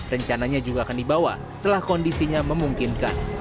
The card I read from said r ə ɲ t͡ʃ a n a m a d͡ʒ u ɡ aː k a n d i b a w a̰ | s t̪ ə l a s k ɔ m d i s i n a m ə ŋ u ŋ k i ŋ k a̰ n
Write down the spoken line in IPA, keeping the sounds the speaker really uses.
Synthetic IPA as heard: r ə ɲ t͡ʃ a n a ɲ a d͡ʒ u ɡ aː k a n d i b a w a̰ | s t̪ ə l a h k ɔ n d i s i ɲ a m ə m u ŋ k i n k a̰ n